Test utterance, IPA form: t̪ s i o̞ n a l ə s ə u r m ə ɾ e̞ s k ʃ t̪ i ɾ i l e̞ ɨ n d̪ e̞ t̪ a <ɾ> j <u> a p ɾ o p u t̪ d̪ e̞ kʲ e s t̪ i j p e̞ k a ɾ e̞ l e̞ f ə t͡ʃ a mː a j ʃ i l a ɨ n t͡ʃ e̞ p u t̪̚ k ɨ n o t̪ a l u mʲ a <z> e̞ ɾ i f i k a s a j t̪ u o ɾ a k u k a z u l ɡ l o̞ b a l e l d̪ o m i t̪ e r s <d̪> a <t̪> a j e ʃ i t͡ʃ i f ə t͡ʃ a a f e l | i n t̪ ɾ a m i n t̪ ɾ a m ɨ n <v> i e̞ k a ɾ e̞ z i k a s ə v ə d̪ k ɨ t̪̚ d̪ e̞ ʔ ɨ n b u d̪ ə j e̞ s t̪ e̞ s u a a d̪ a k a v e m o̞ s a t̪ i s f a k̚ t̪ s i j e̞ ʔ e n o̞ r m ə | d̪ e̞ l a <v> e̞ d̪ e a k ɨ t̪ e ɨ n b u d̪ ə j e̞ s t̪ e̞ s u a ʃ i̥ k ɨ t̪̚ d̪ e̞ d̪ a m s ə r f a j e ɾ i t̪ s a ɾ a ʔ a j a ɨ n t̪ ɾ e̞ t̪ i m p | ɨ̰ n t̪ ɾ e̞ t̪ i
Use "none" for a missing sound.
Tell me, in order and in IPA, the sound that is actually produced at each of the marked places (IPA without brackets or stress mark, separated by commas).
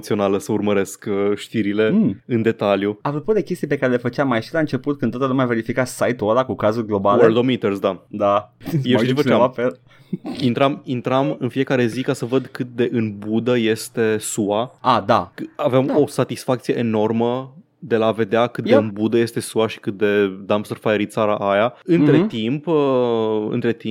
l, u, v, d̪, d̪, f, v